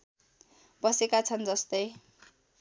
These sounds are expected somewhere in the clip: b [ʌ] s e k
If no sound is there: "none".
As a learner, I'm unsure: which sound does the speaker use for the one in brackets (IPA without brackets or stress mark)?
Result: ʌ